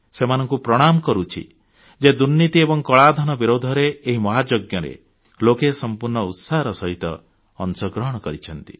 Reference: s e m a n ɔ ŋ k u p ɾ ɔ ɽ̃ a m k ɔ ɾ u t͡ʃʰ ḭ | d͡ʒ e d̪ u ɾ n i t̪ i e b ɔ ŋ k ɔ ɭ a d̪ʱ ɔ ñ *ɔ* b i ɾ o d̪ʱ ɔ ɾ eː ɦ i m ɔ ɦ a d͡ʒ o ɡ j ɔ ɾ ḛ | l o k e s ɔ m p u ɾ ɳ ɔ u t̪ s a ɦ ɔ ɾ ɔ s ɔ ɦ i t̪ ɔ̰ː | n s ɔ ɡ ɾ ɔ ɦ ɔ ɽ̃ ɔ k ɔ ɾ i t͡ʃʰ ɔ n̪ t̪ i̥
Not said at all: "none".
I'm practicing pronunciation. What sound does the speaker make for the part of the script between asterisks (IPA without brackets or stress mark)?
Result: ɔ